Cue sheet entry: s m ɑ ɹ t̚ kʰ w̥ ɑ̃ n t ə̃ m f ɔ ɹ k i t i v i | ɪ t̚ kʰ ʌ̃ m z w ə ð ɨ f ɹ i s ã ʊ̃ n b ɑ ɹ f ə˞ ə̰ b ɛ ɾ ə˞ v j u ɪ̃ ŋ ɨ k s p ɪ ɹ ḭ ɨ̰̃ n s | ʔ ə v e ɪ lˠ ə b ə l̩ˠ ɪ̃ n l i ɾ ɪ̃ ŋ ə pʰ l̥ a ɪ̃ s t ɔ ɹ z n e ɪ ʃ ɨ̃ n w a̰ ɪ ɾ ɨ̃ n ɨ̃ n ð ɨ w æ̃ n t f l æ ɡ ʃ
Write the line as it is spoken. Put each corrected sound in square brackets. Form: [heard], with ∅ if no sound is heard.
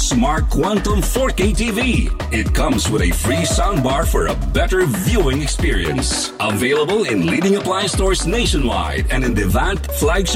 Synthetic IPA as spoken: s m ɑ ɹ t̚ kʰ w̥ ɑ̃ n t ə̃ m f ɔ ɹ k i t i v i | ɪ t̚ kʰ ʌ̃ m z w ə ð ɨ f ɹ i s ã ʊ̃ n b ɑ ɹ f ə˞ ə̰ b ɛ ɾ ə˞ v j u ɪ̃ ŋ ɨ k s p ɪ ɹ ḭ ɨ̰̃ n s | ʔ ə v e ɪ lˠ ə b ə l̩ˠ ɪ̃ n l i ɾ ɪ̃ ŋ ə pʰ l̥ a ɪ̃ s t ɔ ɹ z n e ɪ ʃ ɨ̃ n w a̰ ɪ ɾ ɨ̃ n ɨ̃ n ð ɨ [v] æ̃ n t f l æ ɡ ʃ